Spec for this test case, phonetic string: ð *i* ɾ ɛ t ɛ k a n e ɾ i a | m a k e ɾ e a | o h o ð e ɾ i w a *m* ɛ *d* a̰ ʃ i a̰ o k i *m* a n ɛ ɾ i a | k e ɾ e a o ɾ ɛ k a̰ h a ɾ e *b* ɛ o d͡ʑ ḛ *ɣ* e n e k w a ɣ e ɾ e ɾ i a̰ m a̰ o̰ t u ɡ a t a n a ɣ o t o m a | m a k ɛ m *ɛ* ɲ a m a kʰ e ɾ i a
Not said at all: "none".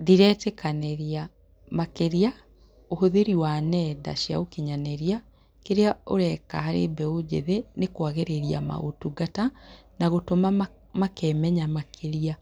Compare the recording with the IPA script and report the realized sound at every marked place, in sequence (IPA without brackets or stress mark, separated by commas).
i, n, d, ɲ, b, ð, ɛ